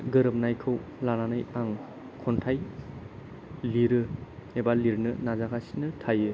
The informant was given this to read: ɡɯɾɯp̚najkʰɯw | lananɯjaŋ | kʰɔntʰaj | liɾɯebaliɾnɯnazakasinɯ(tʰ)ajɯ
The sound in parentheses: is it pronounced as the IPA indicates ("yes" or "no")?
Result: yes